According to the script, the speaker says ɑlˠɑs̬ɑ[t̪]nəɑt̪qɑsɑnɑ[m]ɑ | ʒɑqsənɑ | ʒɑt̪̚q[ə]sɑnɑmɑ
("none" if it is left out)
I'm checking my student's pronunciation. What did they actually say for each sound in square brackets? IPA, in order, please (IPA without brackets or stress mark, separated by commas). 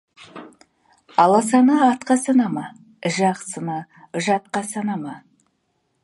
none, m, ɑ